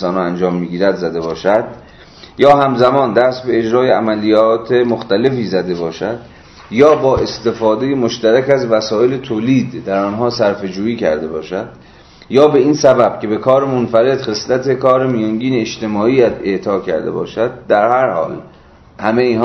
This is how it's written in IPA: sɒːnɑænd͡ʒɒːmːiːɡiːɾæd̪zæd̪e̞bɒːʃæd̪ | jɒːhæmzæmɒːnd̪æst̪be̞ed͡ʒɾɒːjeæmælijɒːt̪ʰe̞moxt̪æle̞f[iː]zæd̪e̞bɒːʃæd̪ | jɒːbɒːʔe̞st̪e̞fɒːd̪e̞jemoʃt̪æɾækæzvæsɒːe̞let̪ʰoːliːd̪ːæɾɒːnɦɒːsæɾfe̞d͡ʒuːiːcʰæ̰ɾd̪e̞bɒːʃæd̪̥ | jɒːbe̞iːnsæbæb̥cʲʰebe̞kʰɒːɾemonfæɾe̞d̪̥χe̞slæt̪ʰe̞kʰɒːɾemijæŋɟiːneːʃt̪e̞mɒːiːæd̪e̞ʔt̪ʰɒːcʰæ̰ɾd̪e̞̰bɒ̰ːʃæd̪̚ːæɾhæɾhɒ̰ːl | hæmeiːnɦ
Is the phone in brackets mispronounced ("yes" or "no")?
no